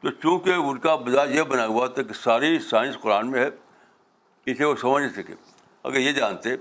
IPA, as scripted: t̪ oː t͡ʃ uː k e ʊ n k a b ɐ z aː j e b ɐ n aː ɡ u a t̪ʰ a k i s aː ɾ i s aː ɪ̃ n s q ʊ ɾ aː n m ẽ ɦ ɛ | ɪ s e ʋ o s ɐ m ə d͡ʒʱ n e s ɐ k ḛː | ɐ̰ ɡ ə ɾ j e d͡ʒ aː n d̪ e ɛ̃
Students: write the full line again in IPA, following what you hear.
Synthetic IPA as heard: t̪ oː t͡ʃ ũː k e ʊ n k a b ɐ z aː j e b ɐ n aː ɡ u a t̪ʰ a k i s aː ɾ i s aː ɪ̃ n s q ʊ ɾ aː n m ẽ ɦ ɛ | ɪ s e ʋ o s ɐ m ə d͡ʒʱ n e s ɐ k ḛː | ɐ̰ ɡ ə ɾ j e d͡ʒ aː n t̪ e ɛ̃